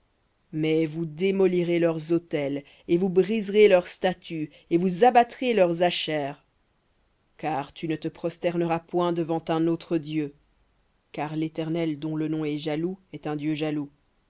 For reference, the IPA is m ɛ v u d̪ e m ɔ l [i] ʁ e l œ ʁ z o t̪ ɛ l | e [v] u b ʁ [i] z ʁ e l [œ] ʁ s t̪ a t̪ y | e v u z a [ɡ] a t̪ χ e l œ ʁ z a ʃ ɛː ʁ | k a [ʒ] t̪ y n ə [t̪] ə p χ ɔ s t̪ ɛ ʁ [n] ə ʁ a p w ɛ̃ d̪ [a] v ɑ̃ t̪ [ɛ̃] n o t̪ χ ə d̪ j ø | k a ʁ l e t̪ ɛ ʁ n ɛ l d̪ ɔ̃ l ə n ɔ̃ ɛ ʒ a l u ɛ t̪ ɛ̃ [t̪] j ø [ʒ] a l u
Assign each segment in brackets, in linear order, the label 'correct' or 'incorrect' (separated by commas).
correct, correct, correct, correct, incorrect, incorrect, correct, correct, incorrect, correct, incorrect, correct